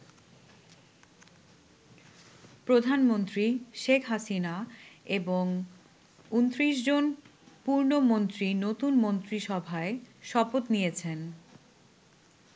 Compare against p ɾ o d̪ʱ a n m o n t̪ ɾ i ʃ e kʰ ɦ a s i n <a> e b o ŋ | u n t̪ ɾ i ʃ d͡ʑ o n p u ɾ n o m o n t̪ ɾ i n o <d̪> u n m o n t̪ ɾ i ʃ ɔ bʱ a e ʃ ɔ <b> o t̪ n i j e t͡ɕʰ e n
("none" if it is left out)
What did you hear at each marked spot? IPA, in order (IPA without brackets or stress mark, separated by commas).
a, t̪, p